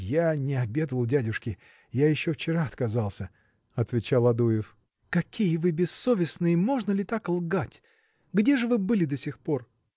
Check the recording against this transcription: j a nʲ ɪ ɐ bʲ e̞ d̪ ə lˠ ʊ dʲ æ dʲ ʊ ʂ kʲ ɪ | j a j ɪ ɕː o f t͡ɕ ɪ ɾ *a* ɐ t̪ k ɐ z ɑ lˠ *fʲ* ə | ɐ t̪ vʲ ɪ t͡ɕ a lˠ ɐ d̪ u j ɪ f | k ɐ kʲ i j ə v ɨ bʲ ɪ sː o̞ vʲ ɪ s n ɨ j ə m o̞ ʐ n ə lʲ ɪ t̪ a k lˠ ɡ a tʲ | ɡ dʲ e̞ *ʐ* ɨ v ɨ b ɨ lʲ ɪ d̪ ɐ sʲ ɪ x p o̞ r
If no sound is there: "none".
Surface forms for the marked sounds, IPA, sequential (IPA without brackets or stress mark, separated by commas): a, sʲ, ʐ